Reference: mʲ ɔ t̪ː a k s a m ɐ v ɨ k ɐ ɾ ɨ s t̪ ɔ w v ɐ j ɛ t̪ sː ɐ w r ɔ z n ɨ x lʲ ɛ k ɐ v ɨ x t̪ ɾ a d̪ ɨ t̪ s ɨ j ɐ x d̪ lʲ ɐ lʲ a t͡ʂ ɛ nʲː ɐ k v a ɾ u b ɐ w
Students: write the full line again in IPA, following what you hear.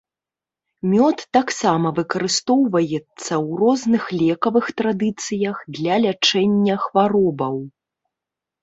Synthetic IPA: mʲ ɔ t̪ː a k s a m ɐ v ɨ k ɐ ɾ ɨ s t̪ ɔ w v ɐ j ɛ t̪ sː ɐ w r ɔ z n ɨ x lʲ ɛ k ɐ v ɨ x t̪ ɾ a d̪ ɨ t̪ s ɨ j ɐ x d̪ lʲ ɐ lʲ a t͡ʂ ɛ nʲː ɐ x v a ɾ ɔ b ɐ w